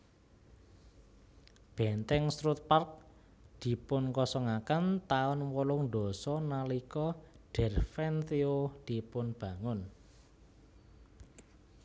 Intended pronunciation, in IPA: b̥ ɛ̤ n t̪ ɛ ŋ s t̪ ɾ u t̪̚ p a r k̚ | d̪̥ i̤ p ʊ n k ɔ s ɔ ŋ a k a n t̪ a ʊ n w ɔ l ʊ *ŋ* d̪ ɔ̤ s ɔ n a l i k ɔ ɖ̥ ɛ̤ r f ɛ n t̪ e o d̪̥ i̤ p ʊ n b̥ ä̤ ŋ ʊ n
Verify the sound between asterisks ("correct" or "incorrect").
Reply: correct